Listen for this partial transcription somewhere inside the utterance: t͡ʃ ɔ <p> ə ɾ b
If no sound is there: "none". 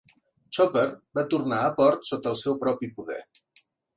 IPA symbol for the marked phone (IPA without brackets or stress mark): p